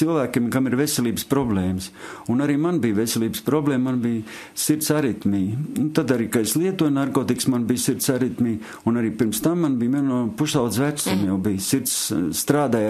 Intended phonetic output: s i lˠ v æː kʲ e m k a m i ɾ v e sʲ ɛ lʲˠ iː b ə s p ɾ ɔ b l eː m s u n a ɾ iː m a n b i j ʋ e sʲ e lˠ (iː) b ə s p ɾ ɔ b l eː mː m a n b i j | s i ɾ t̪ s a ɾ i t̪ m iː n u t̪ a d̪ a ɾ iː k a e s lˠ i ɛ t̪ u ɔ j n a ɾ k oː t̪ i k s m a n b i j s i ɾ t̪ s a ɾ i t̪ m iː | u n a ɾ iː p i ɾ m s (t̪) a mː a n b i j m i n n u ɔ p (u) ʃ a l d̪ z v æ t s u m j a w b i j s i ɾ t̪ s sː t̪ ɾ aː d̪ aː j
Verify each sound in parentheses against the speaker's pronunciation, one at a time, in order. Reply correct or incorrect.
correct, correct, correct

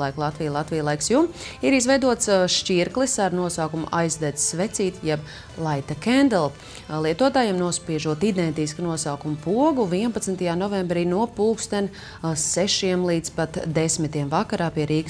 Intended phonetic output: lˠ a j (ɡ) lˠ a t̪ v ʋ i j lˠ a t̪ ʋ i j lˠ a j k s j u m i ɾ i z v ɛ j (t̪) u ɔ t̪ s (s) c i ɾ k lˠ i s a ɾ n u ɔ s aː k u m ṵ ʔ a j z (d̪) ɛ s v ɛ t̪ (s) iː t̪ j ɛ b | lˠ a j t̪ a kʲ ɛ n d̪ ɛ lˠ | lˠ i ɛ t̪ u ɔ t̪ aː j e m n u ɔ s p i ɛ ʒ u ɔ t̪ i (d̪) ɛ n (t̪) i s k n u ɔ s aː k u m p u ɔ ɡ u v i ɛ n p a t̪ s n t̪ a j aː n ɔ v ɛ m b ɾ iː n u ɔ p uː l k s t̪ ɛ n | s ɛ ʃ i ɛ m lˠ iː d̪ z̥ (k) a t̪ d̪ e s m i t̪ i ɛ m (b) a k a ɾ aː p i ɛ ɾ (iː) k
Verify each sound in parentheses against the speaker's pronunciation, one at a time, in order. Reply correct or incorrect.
incorrect, incorrect, incorrect, correct, correct, correct, correct, incorrect, incorrect, correct

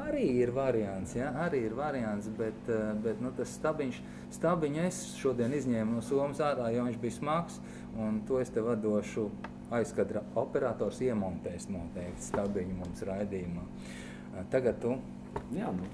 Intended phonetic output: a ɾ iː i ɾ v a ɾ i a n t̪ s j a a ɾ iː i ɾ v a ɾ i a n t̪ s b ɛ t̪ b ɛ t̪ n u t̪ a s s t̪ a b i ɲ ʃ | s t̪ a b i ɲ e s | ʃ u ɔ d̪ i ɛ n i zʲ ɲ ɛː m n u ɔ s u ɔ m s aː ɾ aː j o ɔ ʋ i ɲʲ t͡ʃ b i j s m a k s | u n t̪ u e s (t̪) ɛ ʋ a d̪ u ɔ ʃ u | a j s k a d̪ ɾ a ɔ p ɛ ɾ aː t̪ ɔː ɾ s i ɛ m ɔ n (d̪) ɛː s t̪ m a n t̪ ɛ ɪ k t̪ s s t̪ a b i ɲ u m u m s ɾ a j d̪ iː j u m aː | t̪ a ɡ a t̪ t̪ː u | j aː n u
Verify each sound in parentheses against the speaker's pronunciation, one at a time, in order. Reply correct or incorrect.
correct, incorrect

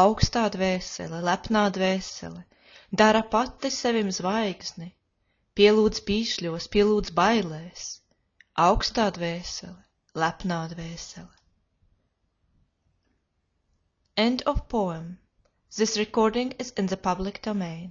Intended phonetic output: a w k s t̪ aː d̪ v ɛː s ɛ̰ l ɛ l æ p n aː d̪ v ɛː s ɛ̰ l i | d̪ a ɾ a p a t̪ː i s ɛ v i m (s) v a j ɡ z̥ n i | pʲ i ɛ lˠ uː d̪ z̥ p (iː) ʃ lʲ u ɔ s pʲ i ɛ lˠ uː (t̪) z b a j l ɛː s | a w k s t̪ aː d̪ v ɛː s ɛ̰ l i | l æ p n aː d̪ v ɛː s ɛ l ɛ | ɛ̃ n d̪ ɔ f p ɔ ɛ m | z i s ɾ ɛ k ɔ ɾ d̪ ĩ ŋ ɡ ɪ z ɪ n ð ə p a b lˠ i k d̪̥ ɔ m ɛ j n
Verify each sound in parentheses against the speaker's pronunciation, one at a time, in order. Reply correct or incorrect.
incorrect, correct, incorrect

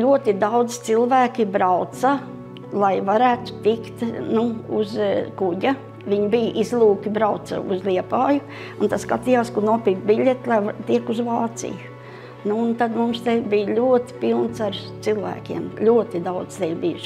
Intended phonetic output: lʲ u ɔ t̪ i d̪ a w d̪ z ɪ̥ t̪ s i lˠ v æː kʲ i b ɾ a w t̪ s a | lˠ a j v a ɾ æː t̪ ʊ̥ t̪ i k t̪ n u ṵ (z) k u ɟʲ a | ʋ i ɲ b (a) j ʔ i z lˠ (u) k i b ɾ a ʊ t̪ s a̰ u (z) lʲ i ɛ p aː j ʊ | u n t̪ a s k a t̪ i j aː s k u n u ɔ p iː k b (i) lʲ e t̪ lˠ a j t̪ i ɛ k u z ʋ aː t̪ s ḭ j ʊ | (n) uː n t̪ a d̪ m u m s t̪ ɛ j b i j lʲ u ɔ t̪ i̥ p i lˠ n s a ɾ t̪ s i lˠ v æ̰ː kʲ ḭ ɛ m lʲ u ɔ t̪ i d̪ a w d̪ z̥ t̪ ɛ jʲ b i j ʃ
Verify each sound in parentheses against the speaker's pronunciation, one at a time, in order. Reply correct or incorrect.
correct, incorrect, incorrect, correct, correct, correct

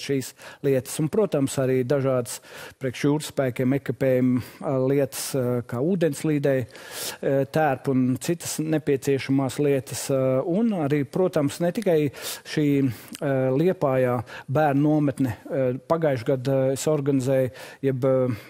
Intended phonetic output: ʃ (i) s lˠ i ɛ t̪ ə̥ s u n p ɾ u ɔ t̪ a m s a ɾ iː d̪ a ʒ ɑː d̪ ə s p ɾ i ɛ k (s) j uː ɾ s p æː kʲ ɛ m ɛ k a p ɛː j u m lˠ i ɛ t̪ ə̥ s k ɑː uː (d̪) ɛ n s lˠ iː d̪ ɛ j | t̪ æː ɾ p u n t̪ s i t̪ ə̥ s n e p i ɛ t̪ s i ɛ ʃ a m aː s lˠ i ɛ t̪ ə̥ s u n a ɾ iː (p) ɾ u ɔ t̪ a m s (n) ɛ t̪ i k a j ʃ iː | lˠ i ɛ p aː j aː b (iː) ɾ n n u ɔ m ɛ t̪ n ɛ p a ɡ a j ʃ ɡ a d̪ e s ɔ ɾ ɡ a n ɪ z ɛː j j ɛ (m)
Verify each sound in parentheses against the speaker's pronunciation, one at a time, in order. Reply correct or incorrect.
incorrect, incorrect, correct, correct, correct, incorrect, incorrect

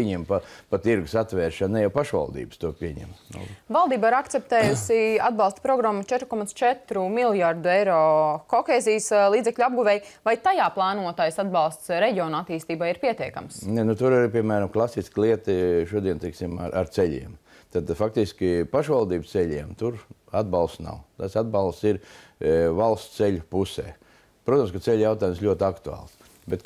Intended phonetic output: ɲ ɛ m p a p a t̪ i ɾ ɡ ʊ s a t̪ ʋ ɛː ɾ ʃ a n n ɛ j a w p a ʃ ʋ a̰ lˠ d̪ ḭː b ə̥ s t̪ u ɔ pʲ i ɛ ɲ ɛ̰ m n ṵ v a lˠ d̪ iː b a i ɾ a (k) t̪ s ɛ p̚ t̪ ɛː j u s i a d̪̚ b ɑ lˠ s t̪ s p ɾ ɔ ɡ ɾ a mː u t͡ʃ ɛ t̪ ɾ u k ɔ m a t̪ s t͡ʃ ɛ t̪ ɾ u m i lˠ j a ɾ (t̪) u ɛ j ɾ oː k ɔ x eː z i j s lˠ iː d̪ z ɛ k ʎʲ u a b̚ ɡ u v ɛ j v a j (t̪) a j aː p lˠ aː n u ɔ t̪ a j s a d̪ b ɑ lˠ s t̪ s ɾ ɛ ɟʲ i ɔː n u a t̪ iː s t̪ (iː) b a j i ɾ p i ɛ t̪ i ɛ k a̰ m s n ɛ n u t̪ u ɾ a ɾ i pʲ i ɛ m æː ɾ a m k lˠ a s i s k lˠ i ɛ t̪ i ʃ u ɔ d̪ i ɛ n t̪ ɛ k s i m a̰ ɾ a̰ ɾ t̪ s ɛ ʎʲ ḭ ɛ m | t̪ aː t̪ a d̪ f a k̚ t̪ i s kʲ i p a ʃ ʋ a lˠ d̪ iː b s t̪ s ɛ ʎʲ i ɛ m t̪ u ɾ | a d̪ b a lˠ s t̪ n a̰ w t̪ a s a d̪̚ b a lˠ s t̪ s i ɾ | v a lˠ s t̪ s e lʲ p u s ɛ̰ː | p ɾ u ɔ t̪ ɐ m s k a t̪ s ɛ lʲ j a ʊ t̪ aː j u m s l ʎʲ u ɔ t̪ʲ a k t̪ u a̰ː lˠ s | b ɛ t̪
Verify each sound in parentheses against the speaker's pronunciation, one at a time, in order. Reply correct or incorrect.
correct, incorrect, correct, correct

